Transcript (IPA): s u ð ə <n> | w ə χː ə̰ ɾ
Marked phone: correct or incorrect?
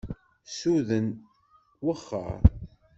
correct